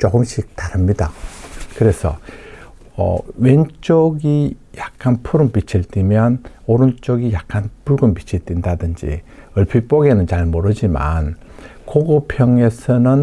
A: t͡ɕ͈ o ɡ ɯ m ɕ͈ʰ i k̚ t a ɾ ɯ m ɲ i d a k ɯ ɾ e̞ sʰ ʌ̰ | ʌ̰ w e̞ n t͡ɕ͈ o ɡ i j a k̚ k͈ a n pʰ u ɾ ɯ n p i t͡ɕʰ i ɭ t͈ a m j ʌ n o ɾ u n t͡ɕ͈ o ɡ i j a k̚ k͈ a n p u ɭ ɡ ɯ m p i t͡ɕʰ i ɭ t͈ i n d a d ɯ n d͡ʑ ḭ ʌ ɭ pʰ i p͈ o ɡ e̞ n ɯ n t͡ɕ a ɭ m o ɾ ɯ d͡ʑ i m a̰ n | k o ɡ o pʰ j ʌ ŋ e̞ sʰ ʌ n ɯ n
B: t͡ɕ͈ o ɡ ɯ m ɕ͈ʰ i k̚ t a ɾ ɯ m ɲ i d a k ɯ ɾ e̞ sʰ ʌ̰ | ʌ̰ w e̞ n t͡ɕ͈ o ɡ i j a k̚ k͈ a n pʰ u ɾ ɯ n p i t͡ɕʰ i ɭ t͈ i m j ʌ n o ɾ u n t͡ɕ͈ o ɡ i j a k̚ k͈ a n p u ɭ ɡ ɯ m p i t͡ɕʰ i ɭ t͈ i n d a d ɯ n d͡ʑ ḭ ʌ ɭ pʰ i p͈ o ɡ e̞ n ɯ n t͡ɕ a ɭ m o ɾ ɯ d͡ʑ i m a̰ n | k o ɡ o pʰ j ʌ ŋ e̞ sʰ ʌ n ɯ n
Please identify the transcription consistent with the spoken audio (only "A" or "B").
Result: B